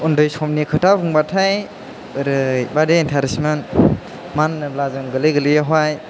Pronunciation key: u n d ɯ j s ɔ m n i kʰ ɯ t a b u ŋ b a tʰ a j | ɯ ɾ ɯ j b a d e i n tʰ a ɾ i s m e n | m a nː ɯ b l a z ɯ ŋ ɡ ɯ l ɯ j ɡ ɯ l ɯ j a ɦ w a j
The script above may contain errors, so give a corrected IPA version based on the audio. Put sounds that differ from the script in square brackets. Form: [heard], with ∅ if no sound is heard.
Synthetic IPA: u n d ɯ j s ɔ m n i kʰ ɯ t a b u ŋ b a tʰ a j | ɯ ɾ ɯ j b a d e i n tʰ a ɾ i s m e n | m a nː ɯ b l a z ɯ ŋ ɡ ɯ l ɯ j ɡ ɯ l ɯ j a ɦ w a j